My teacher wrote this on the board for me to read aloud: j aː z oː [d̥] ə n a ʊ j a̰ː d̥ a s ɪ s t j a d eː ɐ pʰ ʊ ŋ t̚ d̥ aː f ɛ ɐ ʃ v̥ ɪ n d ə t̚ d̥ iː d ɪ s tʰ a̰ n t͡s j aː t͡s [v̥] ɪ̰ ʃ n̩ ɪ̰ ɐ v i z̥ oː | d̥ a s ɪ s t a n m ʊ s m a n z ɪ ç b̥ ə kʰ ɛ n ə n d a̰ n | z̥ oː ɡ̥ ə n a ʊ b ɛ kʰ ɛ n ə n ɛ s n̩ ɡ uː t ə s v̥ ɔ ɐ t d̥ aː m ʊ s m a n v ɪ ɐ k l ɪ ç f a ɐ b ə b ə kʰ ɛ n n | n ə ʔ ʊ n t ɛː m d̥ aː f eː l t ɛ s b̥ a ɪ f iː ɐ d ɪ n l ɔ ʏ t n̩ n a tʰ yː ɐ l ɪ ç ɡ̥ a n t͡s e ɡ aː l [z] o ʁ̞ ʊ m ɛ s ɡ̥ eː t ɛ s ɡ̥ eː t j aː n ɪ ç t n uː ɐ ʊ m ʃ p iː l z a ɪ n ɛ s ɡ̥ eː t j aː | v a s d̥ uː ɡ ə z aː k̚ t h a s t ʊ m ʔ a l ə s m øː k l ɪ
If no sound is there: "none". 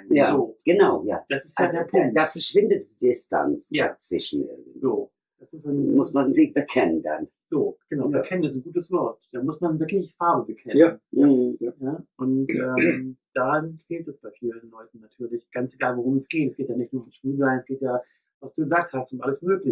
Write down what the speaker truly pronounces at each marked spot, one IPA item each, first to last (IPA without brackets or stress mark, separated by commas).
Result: ɡ̥, v̥, v